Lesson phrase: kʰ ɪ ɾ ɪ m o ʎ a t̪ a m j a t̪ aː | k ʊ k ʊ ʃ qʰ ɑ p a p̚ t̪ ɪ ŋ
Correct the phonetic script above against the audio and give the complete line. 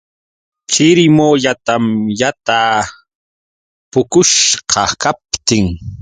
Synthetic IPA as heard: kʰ ɪ ɾ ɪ m o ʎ a t̪ a m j a t̪ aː | p ʊ k ʊ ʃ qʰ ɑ k a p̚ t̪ ɪ ŋ